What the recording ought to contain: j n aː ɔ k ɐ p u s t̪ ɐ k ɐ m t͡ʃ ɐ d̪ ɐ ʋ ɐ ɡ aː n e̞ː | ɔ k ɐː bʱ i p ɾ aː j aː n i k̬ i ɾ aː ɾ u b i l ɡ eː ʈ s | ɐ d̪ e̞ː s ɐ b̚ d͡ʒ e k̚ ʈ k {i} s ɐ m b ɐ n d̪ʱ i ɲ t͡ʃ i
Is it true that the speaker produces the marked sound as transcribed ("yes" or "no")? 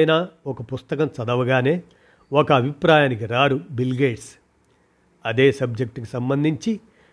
yes